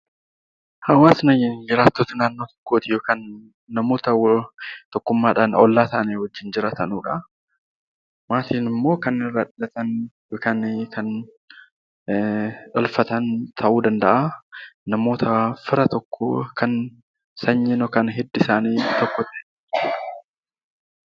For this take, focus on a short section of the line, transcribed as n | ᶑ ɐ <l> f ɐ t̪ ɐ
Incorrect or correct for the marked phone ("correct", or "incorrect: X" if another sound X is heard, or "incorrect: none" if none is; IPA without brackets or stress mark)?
correct